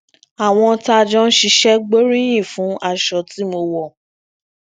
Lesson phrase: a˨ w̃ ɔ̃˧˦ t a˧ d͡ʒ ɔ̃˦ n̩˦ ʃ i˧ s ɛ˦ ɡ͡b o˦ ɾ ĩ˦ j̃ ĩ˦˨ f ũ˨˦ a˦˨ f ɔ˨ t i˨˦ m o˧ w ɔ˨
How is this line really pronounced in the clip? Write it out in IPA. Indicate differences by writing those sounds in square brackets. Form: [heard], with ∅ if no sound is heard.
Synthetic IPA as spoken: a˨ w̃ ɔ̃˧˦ t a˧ d͡ʒ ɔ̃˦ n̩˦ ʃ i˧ [ʃ] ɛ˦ ɡ͡b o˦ ɾ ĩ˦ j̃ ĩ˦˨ f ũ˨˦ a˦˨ [ʃ] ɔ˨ t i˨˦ m o˧ w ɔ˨